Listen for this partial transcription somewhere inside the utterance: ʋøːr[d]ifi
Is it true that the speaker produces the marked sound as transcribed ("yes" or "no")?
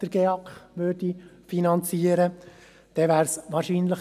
yes